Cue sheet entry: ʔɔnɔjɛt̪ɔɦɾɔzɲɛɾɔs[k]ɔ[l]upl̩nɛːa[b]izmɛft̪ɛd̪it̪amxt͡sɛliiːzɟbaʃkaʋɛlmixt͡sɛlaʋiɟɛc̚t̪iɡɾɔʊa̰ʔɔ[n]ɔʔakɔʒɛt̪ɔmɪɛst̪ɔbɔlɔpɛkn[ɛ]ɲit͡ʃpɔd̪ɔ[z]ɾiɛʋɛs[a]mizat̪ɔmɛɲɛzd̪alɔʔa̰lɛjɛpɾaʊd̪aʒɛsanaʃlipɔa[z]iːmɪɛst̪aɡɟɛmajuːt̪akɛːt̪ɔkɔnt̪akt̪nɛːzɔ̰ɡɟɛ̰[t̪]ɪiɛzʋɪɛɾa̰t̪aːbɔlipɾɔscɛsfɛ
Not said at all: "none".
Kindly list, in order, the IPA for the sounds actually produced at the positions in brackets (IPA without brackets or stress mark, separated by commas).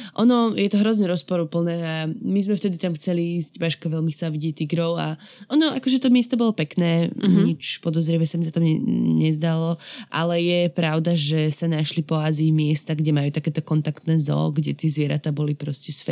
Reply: p, ɾ, m, n, ɛː, z, a, z, t̪